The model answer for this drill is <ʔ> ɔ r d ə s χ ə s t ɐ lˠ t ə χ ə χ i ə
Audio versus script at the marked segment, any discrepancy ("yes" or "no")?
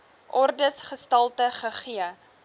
no